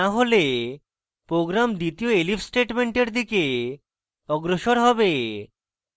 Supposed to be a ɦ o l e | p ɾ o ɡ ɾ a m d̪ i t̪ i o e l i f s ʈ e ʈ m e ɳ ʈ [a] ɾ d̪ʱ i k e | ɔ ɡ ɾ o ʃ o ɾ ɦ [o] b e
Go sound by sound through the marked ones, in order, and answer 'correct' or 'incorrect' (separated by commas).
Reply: incorrect, incorrect